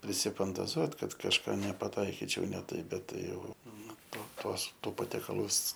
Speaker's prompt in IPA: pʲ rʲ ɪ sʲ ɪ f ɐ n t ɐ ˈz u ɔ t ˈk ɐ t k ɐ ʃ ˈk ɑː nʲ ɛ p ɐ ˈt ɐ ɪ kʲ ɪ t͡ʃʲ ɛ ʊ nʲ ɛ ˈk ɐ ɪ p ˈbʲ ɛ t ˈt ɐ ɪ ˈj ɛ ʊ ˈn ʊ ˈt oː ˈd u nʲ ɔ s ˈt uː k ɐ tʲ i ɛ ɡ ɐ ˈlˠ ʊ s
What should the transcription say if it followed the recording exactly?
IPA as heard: pʲ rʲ ɪ sʲ ɪ f ɐ n t ɐ ˈz u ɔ t ˈk ɐ t k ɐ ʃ ˈk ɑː nʲ ɛ p ɐ ˈt ɐ ɪ kʲ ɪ t͡ʃʲ ɛ ʊ nʲ ɛ ˈt ɐ ɪ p ˈbʲ ɛ t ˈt ɐ ɪ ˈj ɛ ʊ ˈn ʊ ˈt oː ˈt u ɔ s ˈt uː p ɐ tʲ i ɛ k ɐ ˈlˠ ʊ s